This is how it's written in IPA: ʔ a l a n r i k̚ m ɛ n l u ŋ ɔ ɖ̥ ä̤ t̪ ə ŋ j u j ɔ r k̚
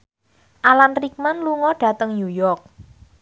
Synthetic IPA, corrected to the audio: ʔ a l a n r i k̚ m a n l u ŋ ɔ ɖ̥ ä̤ t̪ ə ŋ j u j ɔ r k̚